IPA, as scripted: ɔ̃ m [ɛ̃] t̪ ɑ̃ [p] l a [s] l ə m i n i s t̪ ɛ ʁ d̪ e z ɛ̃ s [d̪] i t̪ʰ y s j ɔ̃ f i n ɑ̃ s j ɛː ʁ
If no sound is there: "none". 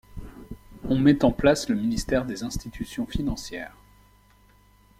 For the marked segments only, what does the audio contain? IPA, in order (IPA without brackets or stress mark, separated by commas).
ɛ, p, s, t̪